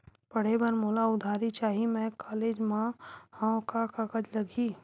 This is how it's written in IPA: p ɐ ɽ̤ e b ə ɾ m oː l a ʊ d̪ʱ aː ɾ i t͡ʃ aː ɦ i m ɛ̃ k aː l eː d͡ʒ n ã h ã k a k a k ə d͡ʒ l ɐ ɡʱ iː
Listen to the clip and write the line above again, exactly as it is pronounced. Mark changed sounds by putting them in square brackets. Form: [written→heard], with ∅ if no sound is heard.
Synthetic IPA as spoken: p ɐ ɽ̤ e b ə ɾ m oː l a ʊ d̪ʱ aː ɾ i t͡ʃ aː ɦ i m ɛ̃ k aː l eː d͡ʒ [n→m] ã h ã k a k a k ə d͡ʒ l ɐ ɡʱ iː